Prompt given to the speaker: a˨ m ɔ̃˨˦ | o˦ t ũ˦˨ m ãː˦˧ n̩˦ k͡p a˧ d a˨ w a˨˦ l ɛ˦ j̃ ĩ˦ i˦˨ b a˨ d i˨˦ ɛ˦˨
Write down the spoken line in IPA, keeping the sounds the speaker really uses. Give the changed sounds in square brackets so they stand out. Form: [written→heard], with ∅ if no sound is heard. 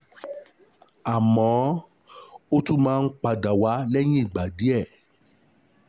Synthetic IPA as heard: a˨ m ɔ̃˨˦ | o˦ t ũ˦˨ m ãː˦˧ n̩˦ k͡p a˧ d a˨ w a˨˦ l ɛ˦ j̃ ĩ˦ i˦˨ [b→ɡ͡b] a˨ d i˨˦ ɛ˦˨